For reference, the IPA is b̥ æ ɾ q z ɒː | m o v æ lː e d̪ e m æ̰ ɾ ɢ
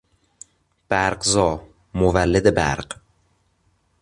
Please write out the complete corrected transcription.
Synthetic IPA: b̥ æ ɾ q z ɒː | m o v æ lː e d̪ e b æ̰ ɾ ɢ